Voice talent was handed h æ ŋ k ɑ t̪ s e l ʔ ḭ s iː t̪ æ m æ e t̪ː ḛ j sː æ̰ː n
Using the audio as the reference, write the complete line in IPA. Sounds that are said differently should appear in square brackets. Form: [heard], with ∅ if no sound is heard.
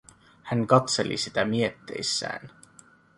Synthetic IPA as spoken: h æ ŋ k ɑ t̪ s e l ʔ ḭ s [i] t̪ æ m [i] e t̪ː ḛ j sː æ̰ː n

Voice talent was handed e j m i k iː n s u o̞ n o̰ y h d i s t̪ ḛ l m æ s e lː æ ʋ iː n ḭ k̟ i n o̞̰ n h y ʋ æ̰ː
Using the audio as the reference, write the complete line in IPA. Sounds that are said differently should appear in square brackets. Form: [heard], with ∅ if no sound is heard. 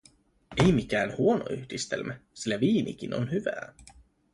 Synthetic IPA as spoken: e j m i k [æː] n [h] u o̞ n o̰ y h d i s t̪ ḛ l m æ s [i] lː æ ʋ iː n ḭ k̟ i n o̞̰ n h y ʋ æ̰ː

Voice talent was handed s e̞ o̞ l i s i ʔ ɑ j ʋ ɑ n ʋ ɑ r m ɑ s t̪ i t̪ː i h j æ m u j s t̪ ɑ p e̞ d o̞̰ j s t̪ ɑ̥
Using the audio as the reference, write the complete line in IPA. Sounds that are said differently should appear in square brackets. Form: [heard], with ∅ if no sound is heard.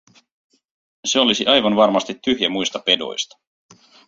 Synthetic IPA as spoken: s e̞ o̞ l i s i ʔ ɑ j ʋ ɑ n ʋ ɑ r m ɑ s t̪ i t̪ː [y] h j æ m u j s t̪ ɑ p e̞ d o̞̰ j s t̪ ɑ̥

